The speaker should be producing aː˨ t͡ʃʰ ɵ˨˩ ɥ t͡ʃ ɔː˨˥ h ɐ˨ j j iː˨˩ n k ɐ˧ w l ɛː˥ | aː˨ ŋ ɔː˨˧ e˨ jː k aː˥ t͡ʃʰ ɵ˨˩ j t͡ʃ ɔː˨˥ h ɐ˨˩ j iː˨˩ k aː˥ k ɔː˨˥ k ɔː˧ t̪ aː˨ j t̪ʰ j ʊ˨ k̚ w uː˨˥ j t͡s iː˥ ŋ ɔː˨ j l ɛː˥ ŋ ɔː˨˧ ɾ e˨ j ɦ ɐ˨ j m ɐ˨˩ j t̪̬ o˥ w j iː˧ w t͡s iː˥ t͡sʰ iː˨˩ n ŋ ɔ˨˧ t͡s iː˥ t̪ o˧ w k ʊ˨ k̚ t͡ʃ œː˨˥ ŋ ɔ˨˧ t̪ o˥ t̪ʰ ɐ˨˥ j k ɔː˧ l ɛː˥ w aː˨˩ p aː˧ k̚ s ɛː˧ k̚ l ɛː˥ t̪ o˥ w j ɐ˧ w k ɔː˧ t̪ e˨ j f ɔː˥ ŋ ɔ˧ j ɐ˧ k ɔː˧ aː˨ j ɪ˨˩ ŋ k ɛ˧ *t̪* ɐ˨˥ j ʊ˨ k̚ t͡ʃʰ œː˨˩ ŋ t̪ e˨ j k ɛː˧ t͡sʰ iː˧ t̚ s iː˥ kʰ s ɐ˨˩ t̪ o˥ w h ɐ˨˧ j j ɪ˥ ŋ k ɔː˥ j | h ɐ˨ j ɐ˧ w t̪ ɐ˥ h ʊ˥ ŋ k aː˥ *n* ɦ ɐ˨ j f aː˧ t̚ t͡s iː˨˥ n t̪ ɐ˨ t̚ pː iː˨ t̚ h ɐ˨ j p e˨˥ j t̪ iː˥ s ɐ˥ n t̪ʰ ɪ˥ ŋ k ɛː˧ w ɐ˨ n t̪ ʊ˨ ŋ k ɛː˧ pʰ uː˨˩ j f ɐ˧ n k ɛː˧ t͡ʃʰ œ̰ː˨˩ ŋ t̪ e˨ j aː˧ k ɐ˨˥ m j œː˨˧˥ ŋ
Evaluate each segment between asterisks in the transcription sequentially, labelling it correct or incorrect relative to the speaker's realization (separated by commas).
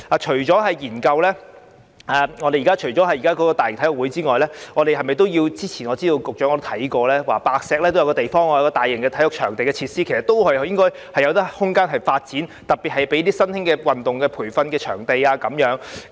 incorrect, correct